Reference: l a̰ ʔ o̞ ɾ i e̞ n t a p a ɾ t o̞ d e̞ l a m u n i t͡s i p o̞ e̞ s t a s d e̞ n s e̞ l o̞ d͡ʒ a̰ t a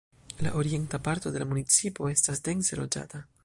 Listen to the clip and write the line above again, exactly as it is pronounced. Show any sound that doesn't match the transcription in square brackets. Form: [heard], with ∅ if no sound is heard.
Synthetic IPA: l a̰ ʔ o̞ ɾ i e̞ n t a p a ɾ t o̞ d e̞ l a m u n i t͡s i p o̞ e̞ s t a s d e̞ n s e̞ l o̞ d͡ʒ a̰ t a

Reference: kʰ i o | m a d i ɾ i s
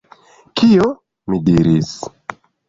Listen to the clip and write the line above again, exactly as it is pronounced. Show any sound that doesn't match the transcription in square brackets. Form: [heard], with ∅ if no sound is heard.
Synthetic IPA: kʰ i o | m [i] d i ɾ i s

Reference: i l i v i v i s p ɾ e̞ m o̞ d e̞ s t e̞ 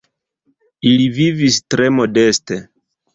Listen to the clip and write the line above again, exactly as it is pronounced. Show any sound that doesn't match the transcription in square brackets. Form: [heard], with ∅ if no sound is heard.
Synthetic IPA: i l i v i v i s [t] ɾ e̞ m o̞ d e̞ s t e̞

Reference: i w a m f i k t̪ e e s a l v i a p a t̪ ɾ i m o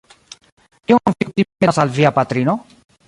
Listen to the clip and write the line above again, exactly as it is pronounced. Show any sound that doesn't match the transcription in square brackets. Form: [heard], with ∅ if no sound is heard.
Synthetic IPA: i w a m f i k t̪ [i] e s a l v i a p a t̪ ɾ i [n] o

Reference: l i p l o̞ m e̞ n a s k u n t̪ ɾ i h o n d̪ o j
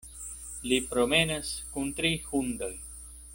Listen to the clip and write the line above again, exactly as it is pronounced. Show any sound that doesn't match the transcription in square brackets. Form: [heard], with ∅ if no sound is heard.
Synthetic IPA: l i p [ɾ] o̞ m e̞ n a s k u n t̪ ɾ i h [u] n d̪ o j

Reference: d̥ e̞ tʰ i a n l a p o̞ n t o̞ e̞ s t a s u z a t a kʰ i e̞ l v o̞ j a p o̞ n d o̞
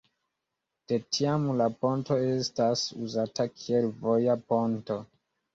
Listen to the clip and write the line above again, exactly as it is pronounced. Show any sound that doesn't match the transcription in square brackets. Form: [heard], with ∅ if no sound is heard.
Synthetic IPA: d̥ e̞ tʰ i a [m] l a p o̞ n t o̞ e̞ s t a s u z a t a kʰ i e̞ l v o̞ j a p o̞ n [t] o̞

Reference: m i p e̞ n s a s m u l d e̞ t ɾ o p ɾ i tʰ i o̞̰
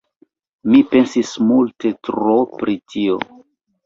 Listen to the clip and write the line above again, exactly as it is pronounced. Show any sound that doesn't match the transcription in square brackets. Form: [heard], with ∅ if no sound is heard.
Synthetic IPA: m i p e̞ n s [i] s m u l [t] e̞ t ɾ o p ɾ i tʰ i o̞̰

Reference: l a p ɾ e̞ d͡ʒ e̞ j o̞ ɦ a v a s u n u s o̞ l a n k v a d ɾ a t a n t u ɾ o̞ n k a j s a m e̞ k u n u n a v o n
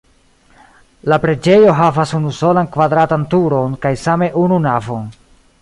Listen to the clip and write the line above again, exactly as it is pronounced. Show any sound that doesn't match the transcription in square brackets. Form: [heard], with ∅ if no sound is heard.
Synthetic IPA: l a p ɾ e̞ d͡ʒ e̞ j o̞ ɦ a v a s u n u s o̞ l a n k v a d ɾ a t a n t u ɾ o̞ n k a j s a m e̞ [ʔ] u n u n a v o n

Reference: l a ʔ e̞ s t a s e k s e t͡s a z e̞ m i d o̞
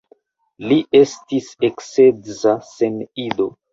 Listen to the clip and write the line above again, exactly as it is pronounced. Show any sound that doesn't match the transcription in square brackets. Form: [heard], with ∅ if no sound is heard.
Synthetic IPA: l [i] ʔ e̞ s t [i] s e k s e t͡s a [s] e̞ [n] i d o̞

